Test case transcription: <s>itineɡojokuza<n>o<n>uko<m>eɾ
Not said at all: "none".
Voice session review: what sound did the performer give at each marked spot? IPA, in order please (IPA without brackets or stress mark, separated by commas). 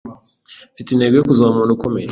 f, m, n, m